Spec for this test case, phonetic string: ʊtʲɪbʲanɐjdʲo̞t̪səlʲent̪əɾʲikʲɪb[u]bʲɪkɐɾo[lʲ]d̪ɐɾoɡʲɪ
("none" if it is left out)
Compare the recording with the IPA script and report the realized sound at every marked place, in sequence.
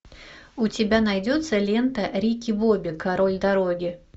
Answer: o, lʲ

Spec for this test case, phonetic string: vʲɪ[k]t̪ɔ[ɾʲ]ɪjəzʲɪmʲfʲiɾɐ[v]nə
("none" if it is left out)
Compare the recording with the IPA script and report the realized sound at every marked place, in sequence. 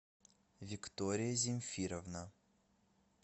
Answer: k, ɾʲ, v

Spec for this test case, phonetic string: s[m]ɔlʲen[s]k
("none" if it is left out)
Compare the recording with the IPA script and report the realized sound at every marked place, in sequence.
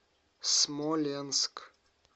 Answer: m, s

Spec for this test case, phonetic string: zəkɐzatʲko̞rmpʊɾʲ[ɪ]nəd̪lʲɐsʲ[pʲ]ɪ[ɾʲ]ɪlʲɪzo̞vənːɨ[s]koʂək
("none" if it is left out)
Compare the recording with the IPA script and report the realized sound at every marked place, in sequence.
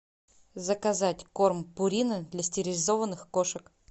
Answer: i, tʲ, ɾʲ, x

